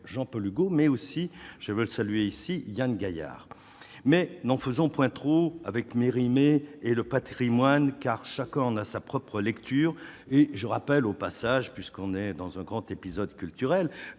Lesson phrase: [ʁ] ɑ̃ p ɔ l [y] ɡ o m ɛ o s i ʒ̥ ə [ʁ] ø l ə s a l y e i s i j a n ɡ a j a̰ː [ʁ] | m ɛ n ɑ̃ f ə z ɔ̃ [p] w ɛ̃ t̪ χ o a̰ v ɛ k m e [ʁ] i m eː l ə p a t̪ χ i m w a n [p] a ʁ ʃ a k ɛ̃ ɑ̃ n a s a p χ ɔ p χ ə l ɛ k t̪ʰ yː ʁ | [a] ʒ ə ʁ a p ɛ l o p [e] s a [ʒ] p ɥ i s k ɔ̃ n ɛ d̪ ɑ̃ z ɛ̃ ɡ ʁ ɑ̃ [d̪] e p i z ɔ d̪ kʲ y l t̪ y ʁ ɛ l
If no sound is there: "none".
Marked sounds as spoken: ʒ, y, v, ʁ, p, ʁ, k, e, a, ʒ, t̪

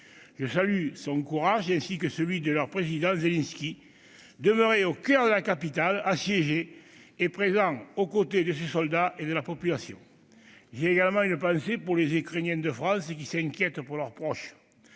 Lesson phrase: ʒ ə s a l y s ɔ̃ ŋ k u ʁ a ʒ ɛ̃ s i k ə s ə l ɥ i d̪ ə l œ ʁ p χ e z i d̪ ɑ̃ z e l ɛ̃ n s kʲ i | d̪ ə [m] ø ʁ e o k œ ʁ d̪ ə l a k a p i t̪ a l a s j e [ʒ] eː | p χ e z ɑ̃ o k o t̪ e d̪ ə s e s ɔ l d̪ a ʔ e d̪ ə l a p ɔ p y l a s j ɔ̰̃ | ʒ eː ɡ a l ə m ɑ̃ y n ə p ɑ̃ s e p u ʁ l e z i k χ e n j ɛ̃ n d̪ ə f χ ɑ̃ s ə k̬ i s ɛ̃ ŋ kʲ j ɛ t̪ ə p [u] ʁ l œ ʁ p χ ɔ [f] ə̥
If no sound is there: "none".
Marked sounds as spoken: m, ʒ, u, ʃ

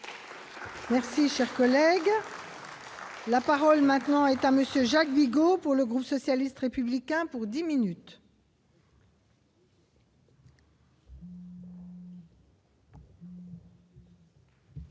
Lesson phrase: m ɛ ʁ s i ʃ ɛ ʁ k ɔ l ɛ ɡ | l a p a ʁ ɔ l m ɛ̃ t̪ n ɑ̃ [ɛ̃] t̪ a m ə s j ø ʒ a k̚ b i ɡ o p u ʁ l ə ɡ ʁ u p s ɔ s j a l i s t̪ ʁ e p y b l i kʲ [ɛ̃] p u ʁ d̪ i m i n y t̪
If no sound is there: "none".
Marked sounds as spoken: ɛ, ɛ̃

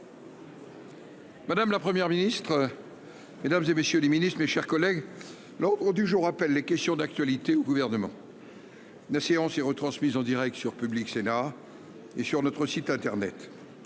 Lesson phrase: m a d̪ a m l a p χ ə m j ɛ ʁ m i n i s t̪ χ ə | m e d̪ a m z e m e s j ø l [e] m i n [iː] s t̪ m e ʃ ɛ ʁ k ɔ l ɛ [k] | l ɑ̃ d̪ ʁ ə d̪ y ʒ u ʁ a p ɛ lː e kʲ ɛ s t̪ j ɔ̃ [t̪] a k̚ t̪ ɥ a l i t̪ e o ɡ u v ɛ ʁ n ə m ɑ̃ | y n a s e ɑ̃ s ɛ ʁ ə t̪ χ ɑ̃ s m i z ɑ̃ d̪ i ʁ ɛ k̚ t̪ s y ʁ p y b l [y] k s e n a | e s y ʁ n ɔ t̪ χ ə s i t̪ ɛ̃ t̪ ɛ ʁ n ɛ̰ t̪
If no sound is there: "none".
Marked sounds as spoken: e, i, ɡ, d̪, i

